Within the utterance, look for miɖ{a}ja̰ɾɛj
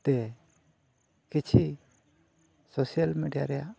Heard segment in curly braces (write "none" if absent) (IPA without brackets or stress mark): i